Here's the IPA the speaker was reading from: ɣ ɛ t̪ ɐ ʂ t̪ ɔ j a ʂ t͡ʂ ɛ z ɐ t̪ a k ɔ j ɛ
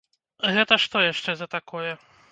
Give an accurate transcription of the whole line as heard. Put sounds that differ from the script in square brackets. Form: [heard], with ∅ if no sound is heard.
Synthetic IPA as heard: ɣ ɛ t̪ ɐ ʂ t̪ ɔ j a ʂ t͡ʂ ɛ z ɐ t̪ a k ɔ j ɛ